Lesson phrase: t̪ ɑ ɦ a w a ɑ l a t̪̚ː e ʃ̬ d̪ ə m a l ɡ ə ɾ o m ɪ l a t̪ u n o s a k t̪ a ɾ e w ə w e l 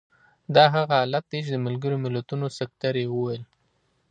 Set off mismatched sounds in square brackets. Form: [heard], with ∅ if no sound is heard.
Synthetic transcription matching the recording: [d̪] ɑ ɦ a [ɣ] a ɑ l a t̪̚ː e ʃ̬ d̪ ə m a l ɡ ə ɾ o m ɪ l a t̪ u n o s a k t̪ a ɾ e w ə w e l